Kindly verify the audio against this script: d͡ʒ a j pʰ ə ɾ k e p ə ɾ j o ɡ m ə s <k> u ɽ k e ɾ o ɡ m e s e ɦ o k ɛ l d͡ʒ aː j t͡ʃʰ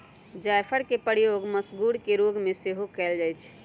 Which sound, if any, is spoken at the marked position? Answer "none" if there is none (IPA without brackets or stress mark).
ɡ